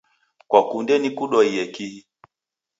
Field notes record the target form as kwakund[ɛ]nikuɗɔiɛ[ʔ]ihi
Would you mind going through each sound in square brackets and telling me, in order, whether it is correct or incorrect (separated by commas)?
correct, incorrect